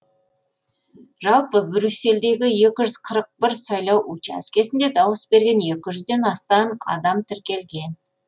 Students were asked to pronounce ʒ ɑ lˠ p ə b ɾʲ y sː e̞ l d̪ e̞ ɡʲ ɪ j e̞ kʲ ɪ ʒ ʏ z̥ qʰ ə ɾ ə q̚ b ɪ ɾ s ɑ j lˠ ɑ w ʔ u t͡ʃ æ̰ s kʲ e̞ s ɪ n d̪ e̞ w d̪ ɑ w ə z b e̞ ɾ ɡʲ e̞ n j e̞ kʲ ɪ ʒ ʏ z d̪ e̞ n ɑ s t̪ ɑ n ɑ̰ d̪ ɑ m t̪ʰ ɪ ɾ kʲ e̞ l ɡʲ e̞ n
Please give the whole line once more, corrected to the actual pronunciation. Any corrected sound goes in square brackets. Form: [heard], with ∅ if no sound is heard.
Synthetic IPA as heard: ʒ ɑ lˠ p ə b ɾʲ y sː e̞ l d̪ e̞ ɡʲ ɪ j e̞ kʲ ɪ ʒ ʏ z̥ qʰ ə ɾ ə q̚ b ɪ ɾ s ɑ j lˠ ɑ w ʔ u t͡ʃ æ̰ s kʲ e̞ s ɪ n d̪ e̞ [∅] d̪ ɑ w ə [s] b e̞ ɾ ɡʲ e̞ n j e̞ kʲ ɪ ʒ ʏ z d̪ e̞ n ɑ s t̪ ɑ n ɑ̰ d̪ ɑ m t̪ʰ ɪ ɾ kʲ e̞ l ɡʲ e̞ n